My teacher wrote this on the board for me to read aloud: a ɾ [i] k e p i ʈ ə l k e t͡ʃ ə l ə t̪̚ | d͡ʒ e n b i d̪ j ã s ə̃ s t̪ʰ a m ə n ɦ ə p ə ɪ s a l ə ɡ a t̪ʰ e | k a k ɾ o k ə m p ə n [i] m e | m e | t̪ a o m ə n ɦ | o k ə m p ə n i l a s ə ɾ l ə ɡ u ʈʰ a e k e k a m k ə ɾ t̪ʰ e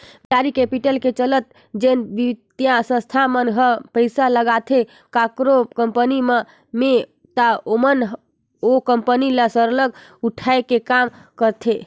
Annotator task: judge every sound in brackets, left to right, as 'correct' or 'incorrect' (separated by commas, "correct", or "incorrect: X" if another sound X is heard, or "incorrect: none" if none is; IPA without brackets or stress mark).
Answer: correct, correct